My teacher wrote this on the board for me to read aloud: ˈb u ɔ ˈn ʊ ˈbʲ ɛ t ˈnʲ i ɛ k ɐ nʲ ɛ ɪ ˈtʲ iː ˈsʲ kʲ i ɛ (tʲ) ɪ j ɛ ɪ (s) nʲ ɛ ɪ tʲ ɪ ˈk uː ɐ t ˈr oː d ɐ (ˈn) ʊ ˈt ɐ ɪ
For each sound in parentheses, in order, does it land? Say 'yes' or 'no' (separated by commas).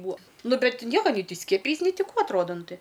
no, yes, yes